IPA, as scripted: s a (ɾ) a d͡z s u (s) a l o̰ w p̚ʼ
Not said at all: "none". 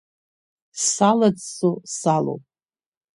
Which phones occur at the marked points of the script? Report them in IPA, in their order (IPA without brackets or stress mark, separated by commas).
l, s